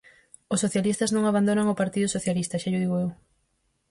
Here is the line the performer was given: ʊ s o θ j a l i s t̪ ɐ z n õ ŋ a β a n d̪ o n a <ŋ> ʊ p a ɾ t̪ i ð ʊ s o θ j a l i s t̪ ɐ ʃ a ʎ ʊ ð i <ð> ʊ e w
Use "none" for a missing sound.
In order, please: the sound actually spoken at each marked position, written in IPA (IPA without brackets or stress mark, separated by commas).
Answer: ŋ, ɣ